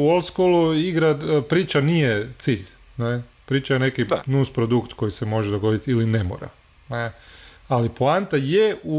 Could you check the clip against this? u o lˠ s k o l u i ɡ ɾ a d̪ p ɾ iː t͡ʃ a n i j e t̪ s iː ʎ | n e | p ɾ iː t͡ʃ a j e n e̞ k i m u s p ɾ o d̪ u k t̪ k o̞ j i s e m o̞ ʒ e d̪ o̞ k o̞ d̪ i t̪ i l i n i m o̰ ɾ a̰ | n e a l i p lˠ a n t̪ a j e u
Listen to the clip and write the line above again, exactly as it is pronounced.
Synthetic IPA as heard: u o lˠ s k o l u i ɡ ɾ a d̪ p ɾ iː t͡ʃ a n i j e t̪ s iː ʎ | n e | p ɾ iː t͡ʃ a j e n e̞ k i n u s p ɾ o d̪ u k t̪ k o̞ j i s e m o̞ ʒ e d̪ o̞ ɡ o̞ d̪ i t̪ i l i n e m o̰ ɾ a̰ | n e a l i p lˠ a n t̪ a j e u